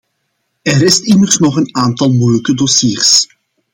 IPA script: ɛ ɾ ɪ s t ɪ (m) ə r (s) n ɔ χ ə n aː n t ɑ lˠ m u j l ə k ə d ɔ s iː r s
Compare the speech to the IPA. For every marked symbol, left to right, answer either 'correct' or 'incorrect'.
correct, correct

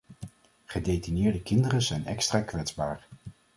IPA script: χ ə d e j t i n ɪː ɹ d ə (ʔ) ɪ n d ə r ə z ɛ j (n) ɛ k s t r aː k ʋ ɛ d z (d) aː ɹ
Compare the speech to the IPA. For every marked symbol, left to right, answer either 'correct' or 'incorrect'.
incorrect: k, correct, incorrect: b

